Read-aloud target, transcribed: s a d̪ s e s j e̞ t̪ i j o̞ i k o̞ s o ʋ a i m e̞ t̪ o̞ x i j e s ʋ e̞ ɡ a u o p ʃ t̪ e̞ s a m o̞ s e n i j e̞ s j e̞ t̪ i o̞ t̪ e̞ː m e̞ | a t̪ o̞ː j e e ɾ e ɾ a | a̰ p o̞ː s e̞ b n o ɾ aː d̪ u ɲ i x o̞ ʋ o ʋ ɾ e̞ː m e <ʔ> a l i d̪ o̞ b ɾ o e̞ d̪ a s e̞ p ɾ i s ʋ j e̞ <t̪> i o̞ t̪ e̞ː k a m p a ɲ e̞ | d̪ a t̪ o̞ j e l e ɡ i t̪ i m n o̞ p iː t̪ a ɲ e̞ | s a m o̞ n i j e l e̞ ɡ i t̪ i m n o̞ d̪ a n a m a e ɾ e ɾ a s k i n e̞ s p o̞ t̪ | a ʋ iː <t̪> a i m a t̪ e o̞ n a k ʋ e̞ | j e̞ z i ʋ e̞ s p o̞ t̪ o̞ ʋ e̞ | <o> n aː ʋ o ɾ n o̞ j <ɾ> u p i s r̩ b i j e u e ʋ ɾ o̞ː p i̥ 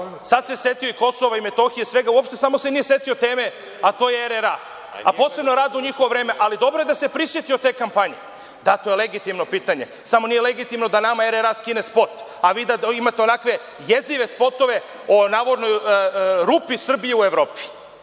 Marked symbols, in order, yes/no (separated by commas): yes, yes, no, yes, yes